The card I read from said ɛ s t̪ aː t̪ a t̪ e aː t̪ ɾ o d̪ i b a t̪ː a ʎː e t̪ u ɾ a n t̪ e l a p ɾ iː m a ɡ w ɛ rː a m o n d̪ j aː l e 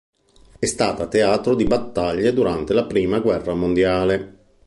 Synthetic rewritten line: ɛ s t̪ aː t̪ a t̪ e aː t̪ ɾ o d̪ i b a t̪ː a ʎː e d̪ u ɾ a n t̪ e l a p ɾ iː m a ɡ w ɛ rː a m o n d̪ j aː l e